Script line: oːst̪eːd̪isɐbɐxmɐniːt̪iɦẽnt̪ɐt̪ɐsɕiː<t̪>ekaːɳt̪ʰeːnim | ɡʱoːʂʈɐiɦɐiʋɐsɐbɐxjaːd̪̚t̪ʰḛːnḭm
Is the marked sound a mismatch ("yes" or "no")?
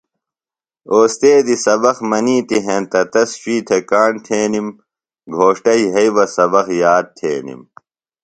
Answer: yes